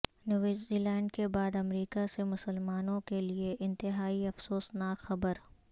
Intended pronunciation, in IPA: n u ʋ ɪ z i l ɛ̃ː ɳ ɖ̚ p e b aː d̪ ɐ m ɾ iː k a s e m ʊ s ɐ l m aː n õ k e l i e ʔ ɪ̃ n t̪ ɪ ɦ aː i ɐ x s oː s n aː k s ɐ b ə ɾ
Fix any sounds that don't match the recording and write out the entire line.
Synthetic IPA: n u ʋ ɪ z i l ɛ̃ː ɳ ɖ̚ k e b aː d̪ ɐ m ɾ iː k a s e m ʊ s ə l m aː n õ k e l i e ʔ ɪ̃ n t̪ ɪ ɦ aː i ɐ f s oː s n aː k x ɐ b ə ɾ